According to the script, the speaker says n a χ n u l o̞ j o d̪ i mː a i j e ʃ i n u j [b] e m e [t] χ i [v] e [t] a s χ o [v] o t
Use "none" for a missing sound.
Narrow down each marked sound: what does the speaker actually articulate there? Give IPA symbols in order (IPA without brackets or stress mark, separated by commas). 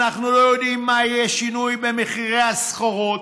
b, none, ʁ, none, ʁ